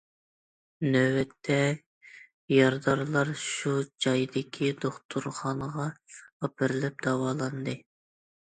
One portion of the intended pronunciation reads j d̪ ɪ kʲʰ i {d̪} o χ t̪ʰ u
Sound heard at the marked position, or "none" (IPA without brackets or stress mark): d̪